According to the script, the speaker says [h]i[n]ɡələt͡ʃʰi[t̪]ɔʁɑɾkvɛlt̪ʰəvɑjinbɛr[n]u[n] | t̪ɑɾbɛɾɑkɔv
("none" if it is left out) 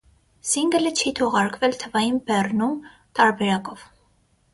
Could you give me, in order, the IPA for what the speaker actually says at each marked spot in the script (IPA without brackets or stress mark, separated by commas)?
s, ŋ, t̪ʰ, n, m